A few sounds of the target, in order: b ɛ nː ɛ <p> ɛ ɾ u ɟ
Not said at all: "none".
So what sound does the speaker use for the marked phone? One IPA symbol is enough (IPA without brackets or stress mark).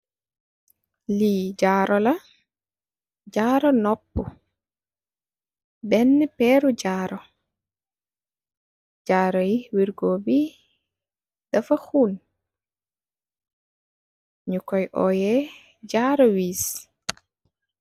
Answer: p